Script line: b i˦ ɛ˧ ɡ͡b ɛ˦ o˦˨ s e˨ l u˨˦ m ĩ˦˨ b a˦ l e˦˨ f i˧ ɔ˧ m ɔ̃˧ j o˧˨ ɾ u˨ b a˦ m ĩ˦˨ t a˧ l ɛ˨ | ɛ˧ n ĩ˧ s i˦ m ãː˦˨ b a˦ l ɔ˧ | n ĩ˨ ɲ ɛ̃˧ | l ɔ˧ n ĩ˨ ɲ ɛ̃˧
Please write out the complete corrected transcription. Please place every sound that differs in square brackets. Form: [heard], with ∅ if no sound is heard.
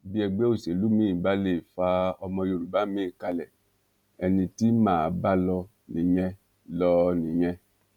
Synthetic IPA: b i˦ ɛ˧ ɡ͡b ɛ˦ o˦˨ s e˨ l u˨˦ m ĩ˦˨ b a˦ l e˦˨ f [a˧] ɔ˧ m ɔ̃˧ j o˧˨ ɾ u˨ b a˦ m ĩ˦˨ [k] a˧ l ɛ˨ | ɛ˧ n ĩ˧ [t] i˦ m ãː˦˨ b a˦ l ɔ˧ | n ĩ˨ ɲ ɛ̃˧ | l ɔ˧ n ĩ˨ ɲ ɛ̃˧